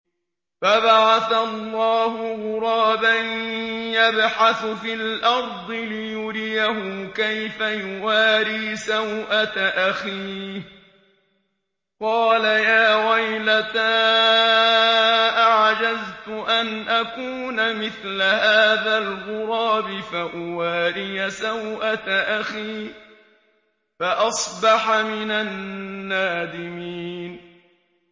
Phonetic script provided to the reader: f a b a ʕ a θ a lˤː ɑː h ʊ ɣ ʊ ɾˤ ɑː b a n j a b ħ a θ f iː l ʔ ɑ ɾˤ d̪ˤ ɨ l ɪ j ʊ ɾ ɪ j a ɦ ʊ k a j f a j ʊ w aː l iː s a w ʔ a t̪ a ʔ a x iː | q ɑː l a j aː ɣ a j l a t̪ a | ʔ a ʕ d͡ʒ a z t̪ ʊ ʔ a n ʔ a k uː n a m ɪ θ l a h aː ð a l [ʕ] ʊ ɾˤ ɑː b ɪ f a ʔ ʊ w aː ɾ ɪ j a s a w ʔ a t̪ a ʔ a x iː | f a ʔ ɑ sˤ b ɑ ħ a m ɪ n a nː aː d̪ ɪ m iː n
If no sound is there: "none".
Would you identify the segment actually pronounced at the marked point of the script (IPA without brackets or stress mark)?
ɣ